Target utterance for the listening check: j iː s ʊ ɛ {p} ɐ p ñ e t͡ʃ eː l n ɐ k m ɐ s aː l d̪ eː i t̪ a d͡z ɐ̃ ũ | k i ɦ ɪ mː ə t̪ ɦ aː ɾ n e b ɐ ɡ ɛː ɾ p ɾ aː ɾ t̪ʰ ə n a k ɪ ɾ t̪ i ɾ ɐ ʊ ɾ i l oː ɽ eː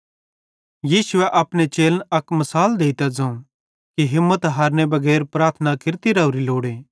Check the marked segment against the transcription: incorrect: ʔ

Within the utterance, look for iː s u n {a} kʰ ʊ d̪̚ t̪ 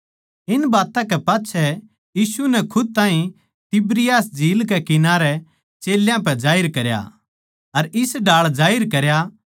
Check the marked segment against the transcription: incorrect: ɛ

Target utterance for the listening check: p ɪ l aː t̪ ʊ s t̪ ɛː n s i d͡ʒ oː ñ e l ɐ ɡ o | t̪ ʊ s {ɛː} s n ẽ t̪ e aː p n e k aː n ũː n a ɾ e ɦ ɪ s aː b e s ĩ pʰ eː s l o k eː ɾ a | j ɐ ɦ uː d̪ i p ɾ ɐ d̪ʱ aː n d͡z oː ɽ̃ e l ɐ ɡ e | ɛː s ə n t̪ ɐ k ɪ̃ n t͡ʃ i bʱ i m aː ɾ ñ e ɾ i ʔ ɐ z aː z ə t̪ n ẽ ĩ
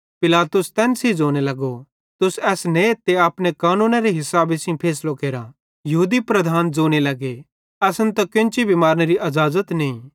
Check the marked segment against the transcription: correct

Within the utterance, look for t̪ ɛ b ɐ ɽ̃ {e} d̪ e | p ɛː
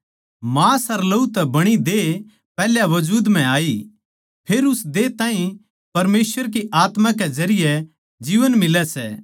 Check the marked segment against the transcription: incorrect: i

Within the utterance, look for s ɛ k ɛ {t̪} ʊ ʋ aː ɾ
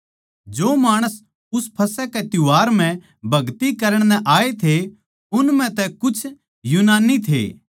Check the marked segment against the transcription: correct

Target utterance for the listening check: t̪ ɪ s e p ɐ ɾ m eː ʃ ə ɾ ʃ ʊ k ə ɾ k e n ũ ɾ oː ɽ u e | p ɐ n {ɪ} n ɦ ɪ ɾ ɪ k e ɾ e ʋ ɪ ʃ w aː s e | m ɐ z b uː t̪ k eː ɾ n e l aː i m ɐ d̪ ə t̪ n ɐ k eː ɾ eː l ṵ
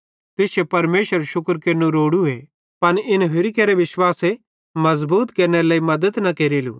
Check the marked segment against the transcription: correct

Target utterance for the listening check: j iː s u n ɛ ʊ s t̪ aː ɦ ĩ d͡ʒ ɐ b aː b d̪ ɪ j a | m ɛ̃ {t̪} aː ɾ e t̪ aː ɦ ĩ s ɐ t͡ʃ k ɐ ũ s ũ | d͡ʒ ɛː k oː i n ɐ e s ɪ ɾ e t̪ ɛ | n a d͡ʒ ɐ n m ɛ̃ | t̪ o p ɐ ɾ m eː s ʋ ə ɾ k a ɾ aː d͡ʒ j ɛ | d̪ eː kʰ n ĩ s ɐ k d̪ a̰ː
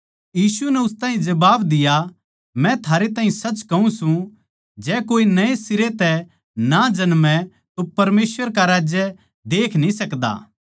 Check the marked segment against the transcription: incorrect: t̪ʰ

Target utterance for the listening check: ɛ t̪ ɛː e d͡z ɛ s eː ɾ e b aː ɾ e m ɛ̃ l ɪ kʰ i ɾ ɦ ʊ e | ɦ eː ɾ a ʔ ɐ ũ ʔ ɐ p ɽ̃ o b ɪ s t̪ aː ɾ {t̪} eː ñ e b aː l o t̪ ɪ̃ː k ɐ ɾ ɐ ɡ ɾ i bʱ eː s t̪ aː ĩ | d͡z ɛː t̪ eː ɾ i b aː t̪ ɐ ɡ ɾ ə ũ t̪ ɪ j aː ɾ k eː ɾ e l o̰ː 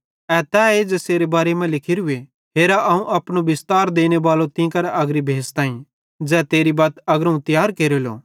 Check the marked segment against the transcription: incorrect: d̪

